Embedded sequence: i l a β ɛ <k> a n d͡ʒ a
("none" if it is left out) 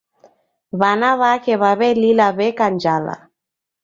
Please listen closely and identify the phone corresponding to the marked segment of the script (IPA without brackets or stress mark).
k